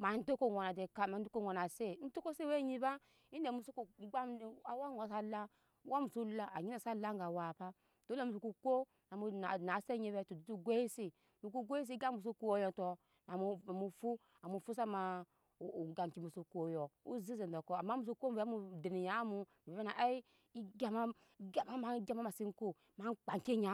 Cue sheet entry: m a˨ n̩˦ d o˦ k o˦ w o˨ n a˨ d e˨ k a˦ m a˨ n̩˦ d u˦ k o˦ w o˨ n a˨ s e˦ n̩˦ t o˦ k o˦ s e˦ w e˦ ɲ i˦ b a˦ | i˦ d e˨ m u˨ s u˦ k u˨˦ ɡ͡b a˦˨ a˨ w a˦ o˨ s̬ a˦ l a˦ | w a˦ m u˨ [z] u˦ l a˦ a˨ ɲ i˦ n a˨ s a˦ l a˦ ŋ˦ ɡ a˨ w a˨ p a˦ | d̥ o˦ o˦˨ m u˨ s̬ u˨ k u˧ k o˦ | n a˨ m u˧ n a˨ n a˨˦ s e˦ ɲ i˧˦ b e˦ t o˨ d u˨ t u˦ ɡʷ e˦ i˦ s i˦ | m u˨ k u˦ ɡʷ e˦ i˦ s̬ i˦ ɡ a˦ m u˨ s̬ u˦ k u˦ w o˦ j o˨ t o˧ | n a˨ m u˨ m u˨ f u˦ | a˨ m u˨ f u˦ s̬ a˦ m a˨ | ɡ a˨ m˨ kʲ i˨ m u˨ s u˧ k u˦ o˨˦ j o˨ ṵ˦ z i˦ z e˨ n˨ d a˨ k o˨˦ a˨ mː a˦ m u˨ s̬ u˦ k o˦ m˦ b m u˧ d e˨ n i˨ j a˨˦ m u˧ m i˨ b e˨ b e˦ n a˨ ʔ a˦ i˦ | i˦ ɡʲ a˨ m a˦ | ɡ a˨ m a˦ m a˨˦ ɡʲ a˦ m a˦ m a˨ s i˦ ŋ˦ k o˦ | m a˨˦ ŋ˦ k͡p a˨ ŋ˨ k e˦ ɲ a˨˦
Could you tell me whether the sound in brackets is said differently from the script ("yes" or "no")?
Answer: yes